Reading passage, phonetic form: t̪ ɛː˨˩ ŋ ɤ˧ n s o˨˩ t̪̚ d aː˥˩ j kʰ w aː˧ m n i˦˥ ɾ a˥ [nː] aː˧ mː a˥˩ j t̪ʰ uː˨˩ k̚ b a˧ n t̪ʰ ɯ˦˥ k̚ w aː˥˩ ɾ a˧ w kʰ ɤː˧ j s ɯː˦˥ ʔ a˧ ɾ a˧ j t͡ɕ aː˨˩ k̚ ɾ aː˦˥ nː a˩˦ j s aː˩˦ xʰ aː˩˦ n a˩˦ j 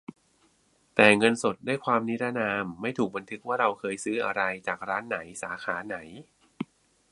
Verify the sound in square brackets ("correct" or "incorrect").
incorrect